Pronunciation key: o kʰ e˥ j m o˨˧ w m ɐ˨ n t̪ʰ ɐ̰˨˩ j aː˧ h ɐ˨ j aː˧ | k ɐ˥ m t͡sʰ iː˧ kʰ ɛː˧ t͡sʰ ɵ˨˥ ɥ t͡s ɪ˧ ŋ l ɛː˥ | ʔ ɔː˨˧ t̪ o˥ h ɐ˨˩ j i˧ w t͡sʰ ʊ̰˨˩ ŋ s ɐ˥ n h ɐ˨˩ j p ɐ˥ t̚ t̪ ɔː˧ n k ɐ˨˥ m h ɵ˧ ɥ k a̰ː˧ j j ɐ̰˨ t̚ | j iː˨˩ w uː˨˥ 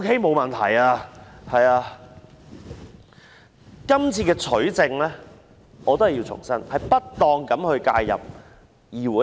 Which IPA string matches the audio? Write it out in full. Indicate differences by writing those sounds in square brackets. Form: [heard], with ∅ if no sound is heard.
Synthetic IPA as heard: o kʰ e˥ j m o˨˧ w m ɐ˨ n t̪ʰ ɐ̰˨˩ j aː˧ h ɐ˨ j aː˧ | k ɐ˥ m t͡sʰ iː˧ [k] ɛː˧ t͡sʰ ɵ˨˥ ɥ t͡s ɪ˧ ŋ l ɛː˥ | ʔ ɔː˨˧ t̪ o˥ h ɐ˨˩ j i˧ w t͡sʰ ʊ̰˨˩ ŋ s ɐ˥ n h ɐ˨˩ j p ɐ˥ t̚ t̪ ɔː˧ [ŋ] k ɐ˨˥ m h ɵ˧ ɥ k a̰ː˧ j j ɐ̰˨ [p̚] | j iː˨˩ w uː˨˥